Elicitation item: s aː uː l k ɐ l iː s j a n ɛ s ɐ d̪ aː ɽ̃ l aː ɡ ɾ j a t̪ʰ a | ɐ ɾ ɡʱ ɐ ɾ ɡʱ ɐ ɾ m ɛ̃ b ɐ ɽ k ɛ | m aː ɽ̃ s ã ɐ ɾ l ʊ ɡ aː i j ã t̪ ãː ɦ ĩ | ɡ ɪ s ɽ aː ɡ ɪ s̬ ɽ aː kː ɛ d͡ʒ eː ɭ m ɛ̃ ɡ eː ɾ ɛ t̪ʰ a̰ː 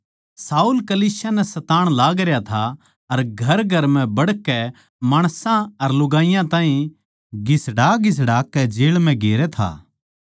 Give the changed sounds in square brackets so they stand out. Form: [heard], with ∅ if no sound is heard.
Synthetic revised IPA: s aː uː l k ɐ l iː s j a n ɛ s ɐ [t̪] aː ɽ̃ l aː ɡ ɾ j a t̪ʰ a | ɐ ɾ ɡʱ ɐ ɾ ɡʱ ɐ ɾ m ɛ̃ b ɐ ɽ k ɛ | m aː ɽ̃ s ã ɐ ɾ l ʊ ɡ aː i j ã t̪ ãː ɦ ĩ | ɡ ɪ s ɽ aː ɡ ɪ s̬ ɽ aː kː ɛ d͡ʒ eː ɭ m ɛ̃ ɡ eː ɾ ɛ t̪ʰ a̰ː